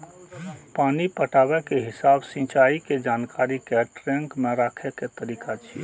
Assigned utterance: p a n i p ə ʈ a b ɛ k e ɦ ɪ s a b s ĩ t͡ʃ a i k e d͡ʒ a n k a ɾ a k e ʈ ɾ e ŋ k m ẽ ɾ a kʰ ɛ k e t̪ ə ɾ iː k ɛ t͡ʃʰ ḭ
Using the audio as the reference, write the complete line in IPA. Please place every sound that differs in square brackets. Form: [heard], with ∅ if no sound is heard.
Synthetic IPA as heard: p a n i p ə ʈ a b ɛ k e ɦ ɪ s a b s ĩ t͡ʃ a i k e d͡ʒ a n k a ɾ [i] k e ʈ ɾ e ŋ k m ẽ ɾ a kʰ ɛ k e t̪ ə ɾ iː k [a] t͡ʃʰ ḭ